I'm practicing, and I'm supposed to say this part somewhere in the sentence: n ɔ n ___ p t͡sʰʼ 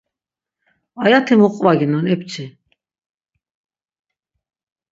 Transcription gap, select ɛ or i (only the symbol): ɛ